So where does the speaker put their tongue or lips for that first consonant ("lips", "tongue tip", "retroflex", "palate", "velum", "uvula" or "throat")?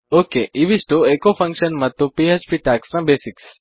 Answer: velum